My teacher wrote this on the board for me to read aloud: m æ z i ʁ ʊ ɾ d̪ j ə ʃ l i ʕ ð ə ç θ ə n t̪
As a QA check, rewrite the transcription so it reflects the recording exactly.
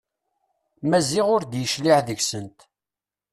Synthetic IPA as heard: m æ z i ʁ ʊ ɾ d̪ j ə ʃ l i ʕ ð ə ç s ə n t̪